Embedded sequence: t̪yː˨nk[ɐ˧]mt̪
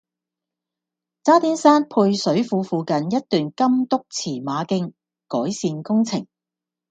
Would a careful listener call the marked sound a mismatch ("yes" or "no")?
yes